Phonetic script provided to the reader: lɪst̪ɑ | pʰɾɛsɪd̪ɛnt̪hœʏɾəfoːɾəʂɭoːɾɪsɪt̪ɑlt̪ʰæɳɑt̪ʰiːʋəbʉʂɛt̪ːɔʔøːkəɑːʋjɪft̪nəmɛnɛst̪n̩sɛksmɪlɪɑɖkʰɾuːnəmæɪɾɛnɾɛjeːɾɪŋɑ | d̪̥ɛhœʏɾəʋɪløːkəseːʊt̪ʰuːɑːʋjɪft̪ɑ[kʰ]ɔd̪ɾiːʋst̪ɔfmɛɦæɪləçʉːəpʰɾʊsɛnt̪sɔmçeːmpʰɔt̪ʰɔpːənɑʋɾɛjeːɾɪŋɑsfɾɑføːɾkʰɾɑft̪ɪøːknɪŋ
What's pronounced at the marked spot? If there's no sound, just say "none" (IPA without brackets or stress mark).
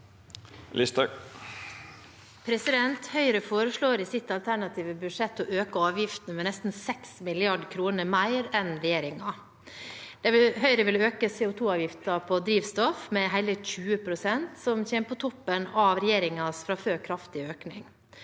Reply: pʰ